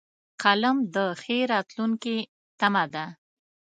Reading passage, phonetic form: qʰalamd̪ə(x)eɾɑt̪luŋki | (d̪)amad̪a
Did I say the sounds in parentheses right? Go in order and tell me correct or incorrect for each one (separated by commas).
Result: correct, incorrect